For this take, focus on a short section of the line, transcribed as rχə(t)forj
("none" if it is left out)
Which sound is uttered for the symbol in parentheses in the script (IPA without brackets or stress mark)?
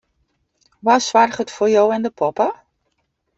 t